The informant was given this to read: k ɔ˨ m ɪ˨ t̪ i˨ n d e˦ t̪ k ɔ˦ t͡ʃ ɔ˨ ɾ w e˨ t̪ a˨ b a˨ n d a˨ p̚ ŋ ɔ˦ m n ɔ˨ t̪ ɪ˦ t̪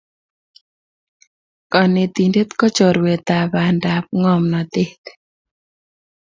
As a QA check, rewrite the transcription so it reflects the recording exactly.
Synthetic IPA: k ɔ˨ n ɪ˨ t̪ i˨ n d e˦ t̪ k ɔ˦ t͡ʃ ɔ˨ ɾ w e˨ t̪ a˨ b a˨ n d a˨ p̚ ŋ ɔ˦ m n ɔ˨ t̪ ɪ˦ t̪